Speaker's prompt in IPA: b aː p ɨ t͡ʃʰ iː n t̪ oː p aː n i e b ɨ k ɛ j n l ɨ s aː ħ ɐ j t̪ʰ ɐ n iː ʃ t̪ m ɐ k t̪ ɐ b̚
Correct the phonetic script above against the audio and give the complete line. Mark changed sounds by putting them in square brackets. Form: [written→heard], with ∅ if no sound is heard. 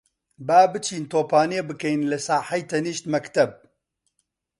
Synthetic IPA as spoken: b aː [p→b] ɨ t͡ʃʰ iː n t̪ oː p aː n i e b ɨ k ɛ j n l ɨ s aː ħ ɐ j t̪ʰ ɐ n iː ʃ t̪ m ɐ k t̪ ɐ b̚